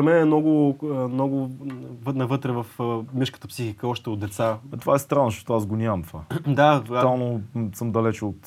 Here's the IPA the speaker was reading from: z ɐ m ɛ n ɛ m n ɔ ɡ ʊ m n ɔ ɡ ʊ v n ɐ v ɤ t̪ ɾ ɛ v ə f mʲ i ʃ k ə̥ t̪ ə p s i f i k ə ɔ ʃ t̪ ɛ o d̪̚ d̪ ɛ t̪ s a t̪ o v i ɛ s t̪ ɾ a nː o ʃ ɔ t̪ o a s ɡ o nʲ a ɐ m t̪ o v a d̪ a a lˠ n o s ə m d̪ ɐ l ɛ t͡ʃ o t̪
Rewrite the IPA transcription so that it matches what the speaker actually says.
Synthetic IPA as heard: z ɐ m ɛ n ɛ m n ɔ ɡ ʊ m n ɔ ɡ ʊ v n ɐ v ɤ t̪ ɾ ɛ v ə f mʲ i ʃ k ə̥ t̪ ə p s i x i k ə ɔ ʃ t̪ ɛ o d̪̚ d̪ ɛ t̪ s a t̪ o v a ɛ s t̪ ɾ a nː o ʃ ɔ t̪ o a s ɡ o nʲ a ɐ m t̪ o v a d̪ a a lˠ n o s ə m d̪ ɐ l ɛ t͡ʃ o t̪